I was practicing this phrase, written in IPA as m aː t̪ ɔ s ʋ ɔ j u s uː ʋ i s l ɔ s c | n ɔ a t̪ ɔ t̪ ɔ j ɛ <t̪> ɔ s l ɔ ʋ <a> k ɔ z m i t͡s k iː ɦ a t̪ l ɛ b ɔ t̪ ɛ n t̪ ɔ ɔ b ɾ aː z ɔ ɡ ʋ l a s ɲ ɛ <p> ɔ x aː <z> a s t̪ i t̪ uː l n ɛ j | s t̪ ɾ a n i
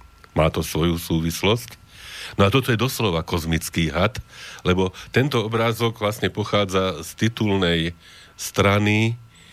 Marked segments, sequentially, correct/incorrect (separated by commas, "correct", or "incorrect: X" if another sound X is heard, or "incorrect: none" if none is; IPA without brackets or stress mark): incorrect: d̪, correct, correct, incorrect: d͡z